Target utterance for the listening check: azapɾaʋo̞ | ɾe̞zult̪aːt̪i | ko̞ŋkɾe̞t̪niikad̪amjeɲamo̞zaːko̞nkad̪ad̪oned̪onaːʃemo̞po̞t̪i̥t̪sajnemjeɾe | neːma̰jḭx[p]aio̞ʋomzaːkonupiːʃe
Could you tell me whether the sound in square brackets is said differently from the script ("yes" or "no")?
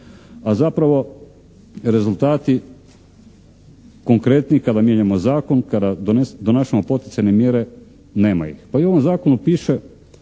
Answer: no